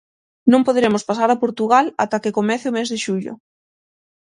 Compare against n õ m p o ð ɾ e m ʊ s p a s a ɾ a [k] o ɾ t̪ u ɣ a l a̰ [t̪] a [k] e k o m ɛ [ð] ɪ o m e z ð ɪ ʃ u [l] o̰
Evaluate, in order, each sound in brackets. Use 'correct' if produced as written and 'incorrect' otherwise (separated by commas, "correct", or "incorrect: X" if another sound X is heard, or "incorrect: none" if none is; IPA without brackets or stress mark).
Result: incorrect: p, correct, correct, incorrect: θ, incorrect: ʎ